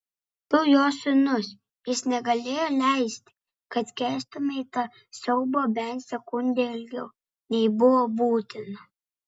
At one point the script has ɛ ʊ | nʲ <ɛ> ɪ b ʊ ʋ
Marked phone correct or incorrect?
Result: correct